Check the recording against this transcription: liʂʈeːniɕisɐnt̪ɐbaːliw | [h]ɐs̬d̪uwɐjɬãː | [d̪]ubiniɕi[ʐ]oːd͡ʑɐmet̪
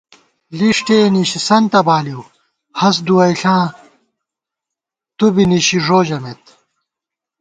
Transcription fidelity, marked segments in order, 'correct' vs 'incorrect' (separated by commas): correct, incorrect, correct